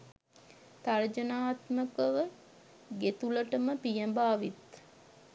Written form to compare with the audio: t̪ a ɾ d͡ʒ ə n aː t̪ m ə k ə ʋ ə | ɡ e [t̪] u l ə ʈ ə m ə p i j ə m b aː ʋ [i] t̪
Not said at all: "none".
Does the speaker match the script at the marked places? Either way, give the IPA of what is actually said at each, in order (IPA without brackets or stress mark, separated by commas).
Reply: t̪, i